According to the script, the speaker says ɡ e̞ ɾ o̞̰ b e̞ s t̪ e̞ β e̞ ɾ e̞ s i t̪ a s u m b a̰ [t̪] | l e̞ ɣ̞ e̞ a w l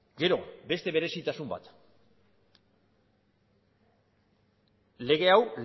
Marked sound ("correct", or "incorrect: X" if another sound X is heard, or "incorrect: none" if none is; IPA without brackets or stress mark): correct